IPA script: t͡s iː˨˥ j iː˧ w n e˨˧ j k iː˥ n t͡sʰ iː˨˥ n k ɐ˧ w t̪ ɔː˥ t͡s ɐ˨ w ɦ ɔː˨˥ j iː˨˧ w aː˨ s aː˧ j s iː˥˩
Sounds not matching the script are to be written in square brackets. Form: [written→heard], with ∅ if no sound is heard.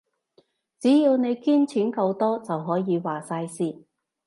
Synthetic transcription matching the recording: t͡s iː˨˥ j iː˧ w n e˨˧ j k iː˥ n t͡sʰ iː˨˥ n k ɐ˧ w t̪ ɔː˥ t͡s ɐ˨ w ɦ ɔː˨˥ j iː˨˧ w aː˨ s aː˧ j s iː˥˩